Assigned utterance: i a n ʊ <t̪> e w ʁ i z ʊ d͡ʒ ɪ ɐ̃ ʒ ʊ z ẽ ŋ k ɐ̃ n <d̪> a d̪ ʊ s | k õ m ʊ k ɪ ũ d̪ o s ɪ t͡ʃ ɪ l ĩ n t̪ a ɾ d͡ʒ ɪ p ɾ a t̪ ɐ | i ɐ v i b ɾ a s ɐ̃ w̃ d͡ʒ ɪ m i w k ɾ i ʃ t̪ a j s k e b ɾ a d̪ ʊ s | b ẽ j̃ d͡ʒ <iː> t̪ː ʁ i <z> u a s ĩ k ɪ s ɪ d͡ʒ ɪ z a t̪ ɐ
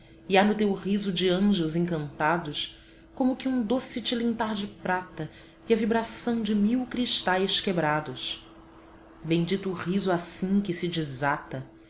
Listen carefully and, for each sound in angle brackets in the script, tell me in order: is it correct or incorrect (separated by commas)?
correct, incorrect, incorrect, correct